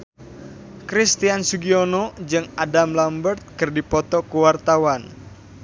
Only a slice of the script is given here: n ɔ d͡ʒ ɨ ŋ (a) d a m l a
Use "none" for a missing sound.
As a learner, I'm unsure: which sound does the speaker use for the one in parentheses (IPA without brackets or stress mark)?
a